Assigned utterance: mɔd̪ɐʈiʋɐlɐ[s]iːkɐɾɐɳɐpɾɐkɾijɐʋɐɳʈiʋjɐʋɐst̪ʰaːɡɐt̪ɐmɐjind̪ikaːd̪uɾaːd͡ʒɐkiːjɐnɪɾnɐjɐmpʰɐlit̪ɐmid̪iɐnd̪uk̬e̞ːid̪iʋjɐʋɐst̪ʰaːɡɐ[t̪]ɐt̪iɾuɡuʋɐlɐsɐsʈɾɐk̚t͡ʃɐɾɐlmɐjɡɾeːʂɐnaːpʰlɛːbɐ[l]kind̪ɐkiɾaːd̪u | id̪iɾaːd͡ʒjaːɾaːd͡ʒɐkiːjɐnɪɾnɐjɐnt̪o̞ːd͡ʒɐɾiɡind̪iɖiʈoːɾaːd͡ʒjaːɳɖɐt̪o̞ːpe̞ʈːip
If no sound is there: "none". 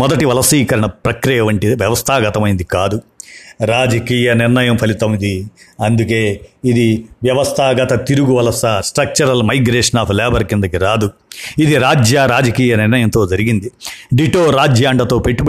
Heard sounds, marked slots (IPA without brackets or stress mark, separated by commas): s, t̪, ɾ